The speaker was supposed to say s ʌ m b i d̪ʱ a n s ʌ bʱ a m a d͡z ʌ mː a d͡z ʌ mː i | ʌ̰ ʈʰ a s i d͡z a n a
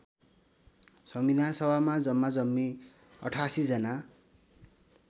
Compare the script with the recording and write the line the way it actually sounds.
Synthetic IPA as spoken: s ʌ m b i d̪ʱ a n s ʌ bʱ a m a d͡z ʌ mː a d͡z ʌ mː i | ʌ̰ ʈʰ a s i d͡z ʌ n a